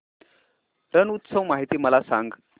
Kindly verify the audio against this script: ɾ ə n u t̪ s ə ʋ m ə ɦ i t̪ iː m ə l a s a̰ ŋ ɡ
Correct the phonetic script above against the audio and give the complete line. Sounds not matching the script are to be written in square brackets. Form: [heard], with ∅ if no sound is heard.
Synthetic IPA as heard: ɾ ə n u t̪ s ə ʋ m [a] ɦ i t̪ iː m ə l a s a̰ ŋ ɡ